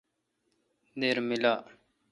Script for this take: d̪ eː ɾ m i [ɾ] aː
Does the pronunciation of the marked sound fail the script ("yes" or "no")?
yes